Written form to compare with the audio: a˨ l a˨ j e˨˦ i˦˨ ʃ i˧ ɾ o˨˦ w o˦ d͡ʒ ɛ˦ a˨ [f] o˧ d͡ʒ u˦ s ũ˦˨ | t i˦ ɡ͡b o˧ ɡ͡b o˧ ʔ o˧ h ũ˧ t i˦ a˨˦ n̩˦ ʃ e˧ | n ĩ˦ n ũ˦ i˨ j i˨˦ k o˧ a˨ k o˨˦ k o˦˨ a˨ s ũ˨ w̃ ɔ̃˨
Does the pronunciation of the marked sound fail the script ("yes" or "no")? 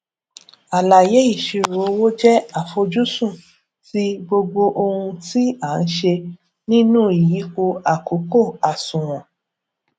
no